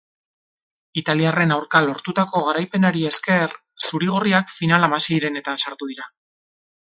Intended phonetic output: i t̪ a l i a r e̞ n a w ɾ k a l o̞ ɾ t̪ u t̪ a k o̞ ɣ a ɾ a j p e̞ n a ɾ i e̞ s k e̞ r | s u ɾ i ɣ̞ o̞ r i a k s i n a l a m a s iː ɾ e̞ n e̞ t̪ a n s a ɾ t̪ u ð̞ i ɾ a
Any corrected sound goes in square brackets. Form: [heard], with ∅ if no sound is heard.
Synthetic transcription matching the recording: i t̪ a l i a r e̞ n a w ɾ k a l o̞ ɾ t̪ u t̪ a k o̞ ɣ a ɾ a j p e̞ n a ɾ i e̞ s k e̞ r | s u ɾ i ɣ̞ o̞ r i a k [f] i n a l a m a s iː ɾ e̞ n e̞ t̪ a n s a ɾ t̪ u ð̞ i ɾ a

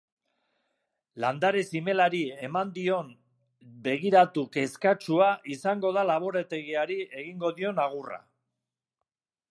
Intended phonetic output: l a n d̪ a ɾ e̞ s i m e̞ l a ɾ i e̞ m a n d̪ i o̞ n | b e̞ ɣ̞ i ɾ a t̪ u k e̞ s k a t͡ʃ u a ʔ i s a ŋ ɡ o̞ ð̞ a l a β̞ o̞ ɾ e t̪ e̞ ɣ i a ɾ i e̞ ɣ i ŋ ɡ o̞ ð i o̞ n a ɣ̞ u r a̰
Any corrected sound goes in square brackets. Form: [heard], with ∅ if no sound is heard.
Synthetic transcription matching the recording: l a n d̪ a ɾ e̞ s i m e̞ l a ɾ i e̞ m a n d̪ i o̞ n | b e̞ ɣ̞ i ɾ a t̪ u k e̞ s k a t͡ʃ u a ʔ i s a ŋ ɡ o̞ ð̞ a l a β̞ o̞ ɾ e t̪ e̞ ɣ i a ɾ i e̞ ɣ i ŋ ɡ o̞ ð i o̞ n a ɣ̞ u r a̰

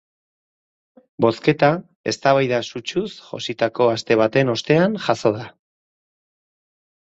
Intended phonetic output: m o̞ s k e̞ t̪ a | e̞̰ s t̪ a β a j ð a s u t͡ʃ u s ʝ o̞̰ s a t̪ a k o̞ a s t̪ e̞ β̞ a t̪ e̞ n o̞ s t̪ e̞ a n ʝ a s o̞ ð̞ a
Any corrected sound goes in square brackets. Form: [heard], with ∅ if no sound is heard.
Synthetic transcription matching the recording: [b] o̞ s k e̞ t̪ a | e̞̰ s t̪ a β a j ð a s u t͡ʃ u s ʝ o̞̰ s [i] t̪ a k o̞ a s t̪ e̞ β̞ a t̪ e̞ n o̞ s t̪ e̞ a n ʝ a s o̞ ð̞ a

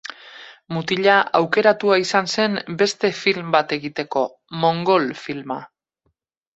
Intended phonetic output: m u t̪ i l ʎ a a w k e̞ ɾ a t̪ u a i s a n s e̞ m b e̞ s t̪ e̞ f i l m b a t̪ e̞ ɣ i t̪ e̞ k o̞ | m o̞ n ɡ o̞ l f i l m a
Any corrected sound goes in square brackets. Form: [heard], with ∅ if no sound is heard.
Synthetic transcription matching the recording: m u t̪ i [∅] ʎ a a w k e̞ ɾ a t̪ u a i s a n s e̞ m b e̞ s t̪ e̞ f i l m b a t̪ e̞ ɣ i t̪ e̞ k o̞ | m o̞ [ŋ] ɡ o̞ l f i l m a

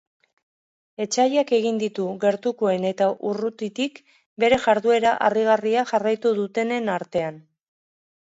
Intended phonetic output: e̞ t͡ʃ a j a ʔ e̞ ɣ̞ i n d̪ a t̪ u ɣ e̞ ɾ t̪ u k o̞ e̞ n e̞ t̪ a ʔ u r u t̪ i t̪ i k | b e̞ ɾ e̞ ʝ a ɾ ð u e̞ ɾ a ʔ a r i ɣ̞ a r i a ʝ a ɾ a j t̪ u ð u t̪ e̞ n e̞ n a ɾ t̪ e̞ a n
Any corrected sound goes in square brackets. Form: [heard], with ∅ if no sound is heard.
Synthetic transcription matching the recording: e̞ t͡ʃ a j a [k] e̞ ɣ̞ i n d̪ [i] t̪ u ɣ e̞ ɾ t̪ u k o̞ e̞ n e̞ t̪ a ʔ u r u t̪ i t̪ i k | b e̞ ɾ e̞ ʝ a ɾ ð u e̞ ɾ a ʔ a r i ɣ̞ a r i a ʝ a [r] a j t̪ u ð u t̪ e̞ n e̞ n a ɾ t̪ e̞ a n

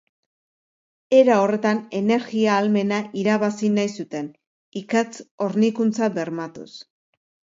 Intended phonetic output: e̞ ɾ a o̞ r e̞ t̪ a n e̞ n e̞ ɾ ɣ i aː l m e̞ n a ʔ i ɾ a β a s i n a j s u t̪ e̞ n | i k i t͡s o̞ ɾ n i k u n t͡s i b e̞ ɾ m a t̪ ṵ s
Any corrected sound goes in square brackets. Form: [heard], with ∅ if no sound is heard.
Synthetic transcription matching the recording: e̞ ɾ a o̞ r e̞ t̪ a n e̞ n e̞ ɾ ɣ i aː l m e̞ n a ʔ i ɾ a β a s i n a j s u t̪ e̞ n | i k [a] t͡s o̞ ɾ n i k u n t͡s [a] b e̞ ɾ m a t̪ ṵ s

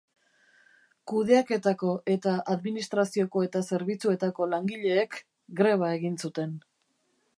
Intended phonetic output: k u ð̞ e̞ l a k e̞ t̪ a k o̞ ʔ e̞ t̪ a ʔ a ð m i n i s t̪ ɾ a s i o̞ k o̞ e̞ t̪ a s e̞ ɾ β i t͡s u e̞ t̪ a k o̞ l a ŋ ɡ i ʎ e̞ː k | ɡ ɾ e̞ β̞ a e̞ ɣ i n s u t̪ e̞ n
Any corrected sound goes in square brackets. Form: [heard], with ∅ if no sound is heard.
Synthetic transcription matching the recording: k u ð̞ e̞ [∅] a k e̞ t̪ a k o̞ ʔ e̞ t̪ a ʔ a ð m i n i s t̪ ɾ a s i o̞ k o̞ e̞ t̪ a s e̞ ɾ β i t͡s u e̞ t̪ a k o̞ l a ŋ ɡ i ʎ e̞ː k | ɡ ɾ e̞ β̞ a e̞ ɣ i n s u t̪ e̞ n

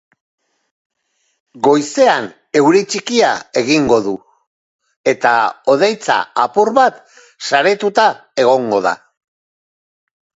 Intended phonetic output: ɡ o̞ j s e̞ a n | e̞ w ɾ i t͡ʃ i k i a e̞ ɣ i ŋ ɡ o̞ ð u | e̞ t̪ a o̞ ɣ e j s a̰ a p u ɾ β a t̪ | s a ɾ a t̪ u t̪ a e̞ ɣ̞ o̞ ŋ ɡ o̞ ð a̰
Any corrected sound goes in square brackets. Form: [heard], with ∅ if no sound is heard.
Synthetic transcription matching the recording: ɡ o̞ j s e̞ a n | e̞ w ɾ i t͡ʃ i k i a e̞ ɣ i ŋ ɡ o̞ ð u | e̞ t̪ a o̞ [ð] e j [t͡s] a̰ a p u ɾ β a t̪ | s a ɾ [e] t̪ u t̪ a e̞ ɣ̞ o̞ ŋ ɡ o̞ ð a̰

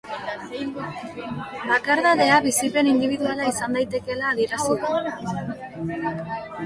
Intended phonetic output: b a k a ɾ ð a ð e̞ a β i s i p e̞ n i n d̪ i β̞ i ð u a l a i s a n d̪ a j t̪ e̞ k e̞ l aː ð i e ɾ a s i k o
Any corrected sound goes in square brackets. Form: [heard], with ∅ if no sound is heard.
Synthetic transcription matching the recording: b a k a ɾ ð a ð e̞ a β i s i p e̞ n i n d̪ i β̞ i ð u a l a i s a n d̪ a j t̪ e̞ k e̞ l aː ð i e ɾ a s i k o

